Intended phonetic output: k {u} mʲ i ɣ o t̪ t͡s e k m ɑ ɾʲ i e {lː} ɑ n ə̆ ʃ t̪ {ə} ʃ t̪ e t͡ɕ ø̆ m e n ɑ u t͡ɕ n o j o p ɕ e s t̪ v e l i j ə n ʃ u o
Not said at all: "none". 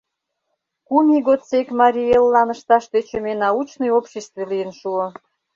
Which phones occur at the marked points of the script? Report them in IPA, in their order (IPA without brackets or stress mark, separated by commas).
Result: u, lː, ɑ